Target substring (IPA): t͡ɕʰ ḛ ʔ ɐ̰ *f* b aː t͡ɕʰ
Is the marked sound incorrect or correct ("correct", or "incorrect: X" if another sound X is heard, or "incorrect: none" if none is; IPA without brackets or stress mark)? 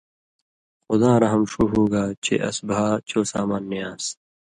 incorrect: s